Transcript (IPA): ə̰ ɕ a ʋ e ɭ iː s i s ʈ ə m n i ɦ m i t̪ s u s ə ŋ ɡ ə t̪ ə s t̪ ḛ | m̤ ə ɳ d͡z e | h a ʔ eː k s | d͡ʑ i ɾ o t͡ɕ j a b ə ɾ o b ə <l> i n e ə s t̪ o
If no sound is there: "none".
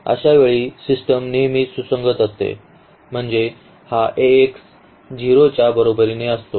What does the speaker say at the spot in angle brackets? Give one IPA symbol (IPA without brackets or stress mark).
ɾ